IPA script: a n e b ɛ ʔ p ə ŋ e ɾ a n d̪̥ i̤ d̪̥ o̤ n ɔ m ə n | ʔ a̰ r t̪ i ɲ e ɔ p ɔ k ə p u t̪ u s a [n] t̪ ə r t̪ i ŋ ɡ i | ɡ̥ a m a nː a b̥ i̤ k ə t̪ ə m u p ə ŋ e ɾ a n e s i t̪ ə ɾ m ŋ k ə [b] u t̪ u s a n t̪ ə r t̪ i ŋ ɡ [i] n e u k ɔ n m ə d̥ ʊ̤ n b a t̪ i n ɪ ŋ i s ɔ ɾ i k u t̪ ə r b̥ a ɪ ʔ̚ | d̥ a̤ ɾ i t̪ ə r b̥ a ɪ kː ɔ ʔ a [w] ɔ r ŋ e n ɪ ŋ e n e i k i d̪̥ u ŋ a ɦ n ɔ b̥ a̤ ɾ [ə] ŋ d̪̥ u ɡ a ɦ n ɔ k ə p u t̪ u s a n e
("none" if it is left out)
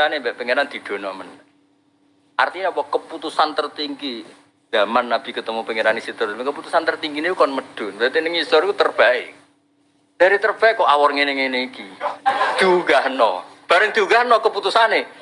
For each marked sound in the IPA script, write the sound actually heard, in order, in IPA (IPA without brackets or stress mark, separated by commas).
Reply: n, p, i, w, ə